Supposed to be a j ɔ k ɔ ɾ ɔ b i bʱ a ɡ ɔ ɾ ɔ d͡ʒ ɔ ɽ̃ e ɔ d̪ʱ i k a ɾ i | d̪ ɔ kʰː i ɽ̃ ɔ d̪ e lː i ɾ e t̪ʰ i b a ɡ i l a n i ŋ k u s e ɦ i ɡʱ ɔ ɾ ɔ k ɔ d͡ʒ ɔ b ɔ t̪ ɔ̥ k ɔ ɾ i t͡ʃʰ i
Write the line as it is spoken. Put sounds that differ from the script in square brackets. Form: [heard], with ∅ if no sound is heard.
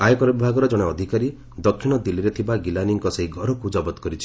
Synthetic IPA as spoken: a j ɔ k ɔ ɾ ɔ b i bʱ a ɡ ɔ ɾ ɔ d͡ʒ ɔ ɽ̃ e ɔ d̪ʱ i k a ɾ i | d̪ ɔ kʰː i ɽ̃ ɔ d̪ [i] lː i ɾ e t̪ʰ i b a ɡ i l a n i ŋ k [ɔ] s e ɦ i ɡʱ ɔ ɾ ɔ k [u] d͡ʒ ɔ b ɔ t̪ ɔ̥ k ɔ ɾ i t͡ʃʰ i